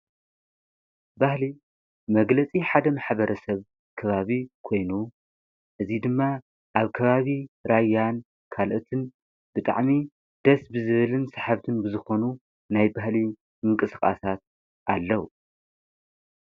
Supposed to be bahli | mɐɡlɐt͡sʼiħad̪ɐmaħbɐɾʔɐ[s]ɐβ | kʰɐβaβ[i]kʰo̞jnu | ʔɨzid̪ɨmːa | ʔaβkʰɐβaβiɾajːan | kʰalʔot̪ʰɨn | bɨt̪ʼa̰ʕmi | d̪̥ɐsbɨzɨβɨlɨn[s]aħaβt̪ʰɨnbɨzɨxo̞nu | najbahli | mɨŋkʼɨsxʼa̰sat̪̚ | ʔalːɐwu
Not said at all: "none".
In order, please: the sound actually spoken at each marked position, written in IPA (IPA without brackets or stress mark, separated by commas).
s, i, s